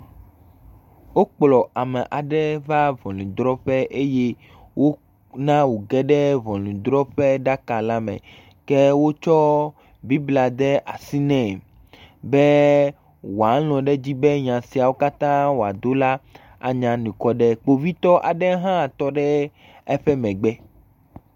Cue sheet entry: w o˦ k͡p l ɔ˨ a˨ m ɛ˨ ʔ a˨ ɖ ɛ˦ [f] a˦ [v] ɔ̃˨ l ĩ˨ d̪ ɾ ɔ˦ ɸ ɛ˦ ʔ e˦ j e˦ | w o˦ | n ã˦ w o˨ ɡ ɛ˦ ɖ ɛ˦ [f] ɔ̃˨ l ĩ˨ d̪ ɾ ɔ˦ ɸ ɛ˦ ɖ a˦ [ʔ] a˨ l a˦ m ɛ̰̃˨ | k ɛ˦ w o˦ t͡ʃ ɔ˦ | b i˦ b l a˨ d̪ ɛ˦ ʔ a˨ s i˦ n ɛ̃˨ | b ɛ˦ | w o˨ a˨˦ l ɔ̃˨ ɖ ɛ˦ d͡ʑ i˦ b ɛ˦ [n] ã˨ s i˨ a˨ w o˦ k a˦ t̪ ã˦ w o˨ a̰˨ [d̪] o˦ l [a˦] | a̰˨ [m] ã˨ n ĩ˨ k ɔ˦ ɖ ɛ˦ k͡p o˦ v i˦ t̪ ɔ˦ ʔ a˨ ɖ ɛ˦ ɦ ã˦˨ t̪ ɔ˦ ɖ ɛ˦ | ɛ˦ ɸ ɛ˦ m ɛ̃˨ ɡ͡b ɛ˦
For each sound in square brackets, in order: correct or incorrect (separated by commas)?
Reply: incorrect, correct, incorrect, incorrect, incorrect, correct, correct, incorrect